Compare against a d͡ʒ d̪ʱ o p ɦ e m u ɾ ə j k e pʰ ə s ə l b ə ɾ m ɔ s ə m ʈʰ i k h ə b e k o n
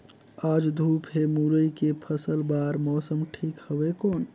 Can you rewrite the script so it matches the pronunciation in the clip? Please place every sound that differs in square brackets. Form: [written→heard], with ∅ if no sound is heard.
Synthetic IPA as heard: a d͡ʒ d̪ʱ [o→u] p ɦ e m u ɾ ə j k e pʰ ə s ə l b [ə→a] ɾ m ɔ s ə m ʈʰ i k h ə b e k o n